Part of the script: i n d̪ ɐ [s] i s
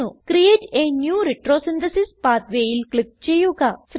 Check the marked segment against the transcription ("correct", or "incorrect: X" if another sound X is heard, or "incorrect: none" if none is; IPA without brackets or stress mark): correct